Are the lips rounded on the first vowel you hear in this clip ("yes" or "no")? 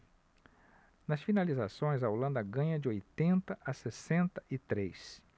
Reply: no